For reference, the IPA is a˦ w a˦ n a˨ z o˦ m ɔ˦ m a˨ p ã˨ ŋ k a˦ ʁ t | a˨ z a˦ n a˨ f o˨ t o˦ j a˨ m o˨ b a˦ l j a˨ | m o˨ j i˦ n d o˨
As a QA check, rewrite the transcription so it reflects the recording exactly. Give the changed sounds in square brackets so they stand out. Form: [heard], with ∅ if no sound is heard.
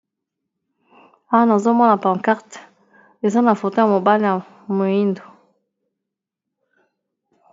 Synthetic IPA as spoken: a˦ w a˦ n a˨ z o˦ m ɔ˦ [n] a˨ p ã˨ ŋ k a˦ ʁ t | [e˨] z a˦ n a˨ f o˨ t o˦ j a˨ m o˨ b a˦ l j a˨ | m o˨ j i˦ n d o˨